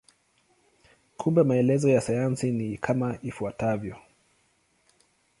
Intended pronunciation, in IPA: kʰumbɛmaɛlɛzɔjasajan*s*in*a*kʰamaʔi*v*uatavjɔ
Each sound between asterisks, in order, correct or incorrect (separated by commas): correct, incorrect, incorrect